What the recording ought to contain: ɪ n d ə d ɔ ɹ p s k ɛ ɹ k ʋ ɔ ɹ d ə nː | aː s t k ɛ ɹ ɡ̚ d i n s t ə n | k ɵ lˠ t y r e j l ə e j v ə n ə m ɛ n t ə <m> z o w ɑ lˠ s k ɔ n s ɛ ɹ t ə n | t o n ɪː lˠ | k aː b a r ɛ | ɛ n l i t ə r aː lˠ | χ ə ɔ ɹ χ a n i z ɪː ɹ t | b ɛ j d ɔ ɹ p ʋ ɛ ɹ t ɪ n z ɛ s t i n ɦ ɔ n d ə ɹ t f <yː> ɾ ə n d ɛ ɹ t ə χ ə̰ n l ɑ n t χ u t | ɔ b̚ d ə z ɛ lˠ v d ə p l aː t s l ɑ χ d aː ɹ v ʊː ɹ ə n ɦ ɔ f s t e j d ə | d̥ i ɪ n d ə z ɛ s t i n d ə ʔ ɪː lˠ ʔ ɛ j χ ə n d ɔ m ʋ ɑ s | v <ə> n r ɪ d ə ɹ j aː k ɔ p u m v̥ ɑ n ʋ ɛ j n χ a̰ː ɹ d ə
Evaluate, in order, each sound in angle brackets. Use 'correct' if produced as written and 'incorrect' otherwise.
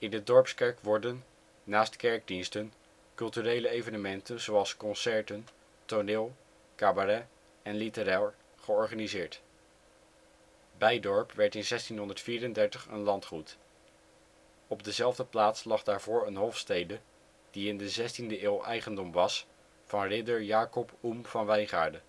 incorrect, incorrect, incorrect

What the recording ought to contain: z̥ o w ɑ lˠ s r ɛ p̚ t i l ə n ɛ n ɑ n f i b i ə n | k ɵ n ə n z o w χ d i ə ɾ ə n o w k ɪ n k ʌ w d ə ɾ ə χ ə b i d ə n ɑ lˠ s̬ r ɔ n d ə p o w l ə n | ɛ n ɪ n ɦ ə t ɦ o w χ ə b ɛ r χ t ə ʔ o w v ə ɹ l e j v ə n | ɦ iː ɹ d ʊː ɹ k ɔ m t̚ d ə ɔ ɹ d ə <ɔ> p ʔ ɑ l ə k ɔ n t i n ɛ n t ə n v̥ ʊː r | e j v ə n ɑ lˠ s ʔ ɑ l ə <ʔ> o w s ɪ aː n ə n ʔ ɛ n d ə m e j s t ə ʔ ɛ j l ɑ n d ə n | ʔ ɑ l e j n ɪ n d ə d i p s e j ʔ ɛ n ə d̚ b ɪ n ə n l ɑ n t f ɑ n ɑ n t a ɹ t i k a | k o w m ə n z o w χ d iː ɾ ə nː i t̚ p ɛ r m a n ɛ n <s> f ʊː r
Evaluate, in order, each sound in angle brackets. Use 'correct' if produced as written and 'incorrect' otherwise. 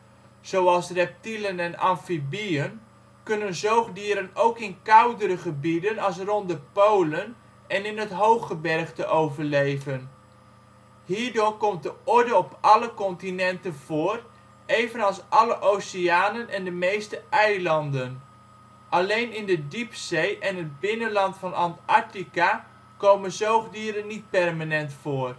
correct, correct, incorrect

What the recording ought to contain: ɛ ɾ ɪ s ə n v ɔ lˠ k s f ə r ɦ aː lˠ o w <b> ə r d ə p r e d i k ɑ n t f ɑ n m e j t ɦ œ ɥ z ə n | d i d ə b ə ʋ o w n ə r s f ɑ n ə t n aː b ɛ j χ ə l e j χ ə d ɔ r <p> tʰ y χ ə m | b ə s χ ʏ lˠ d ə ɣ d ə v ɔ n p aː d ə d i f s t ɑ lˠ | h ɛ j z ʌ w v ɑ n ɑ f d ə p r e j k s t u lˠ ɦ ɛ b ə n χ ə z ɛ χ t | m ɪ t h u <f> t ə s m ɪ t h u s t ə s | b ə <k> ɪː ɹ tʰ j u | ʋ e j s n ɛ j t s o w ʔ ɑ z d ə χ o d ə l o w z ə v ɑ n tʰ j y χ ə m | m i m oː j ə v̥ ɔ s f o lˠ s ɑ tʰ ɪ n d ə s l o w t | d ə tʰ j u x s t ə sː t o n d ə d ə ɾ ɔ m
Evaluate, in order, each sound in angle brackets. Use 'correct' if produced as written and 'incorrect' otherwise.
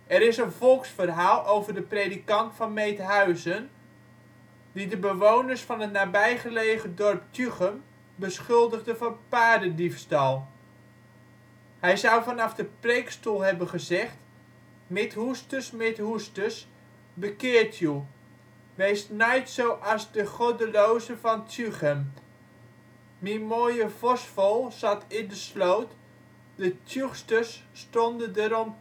incorrect, correct, incorrect, correct

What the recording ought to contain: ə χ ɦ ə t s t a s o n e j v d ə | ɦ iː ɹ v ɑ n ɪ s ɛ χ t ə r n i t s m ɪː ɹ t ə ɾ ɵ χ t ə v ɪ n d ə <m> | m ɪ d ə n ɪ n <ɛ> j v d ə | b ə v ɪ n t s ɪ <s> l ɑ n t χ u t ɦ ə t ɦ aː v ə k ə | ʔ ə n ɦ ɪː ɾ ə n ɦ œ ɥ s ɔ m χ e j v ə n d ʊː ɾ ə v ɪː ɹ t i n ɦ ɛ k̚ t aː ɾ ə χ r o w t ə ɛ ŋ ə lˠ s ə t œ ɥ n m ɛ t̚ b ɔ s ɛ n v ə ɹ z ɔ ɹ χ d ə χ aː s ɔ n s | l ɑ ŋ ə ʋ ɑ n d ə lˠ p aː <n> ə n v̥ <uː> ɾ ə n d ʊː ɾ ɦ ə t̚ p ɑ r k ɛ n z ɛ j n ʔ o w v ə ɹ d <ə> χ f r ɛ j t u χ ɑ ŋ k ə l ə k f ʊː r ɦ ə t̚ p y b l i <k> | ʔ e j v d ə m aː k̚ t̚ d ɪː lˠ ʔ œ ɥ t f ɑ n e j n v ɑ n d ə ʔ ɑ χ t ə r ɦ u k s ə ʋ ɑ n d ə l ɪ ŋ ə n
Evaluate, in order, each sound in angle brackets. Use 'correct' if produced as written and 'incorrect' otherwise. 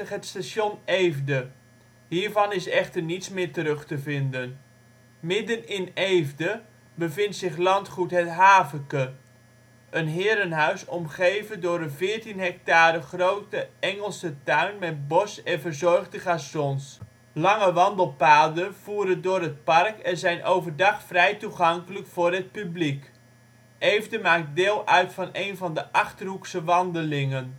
incorrect, incorrect, incorrect, incorrect, correct, incorrect, correct

